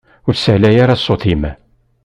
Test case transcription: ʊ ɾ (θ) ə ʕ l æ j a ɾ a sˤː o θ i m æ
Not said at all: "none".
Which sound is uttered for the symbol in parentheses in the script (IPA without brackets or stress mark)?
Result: s